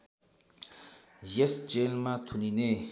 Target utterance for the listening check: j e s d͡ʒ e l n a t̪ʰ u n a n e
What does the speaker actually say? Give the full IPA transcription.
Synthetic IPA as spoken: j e s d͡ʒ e l m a t̪ʰ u n i n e